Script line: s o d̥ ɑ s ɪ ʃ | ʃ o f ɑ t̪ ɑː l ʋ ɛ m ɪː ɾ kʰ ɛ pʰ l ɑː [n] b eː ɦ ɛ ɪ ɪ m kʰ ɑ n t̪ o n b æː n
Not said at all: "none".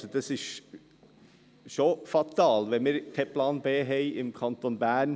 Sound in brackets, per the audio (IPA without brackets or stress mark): n